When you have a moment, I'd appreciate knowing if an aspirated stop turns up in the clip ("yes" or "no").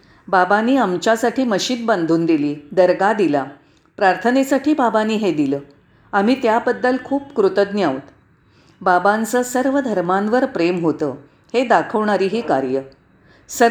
yes